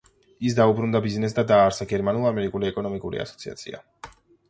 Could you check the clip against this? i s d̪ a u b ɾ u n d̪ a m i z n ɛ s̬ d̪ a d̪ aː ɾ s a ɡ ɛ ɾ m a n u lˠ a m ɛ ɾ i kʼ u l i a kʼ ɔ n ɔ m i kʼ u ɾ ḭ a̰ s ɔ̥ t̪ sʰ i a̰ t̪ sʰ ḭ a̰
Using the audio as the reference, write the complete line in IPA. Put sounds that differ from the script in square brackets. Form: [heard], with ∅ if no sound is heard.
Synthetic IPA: i s d̪ a u b ɾ u n d̪ a [b] i z n ɛ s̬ d̪ a d̪ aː ɾ s a ɡ ɛ ɾ m a n u lˠ a m ɛ ɾ i kʼ u l i [ɛ] kʼ ɔ n ɔ m i kʼ u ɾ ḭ a̰ s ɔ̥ t̪ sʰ i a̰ t̪ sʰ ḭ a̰